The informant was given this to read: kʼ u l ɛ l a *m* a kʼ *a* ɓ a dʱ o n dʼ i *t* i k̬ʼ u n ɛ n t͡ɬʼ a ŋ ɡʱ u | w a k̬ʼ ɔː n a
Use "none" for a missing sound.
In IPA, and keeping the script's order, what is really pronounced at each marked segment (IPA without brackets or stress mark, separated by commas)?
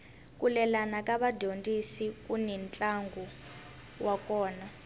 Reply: n, a, s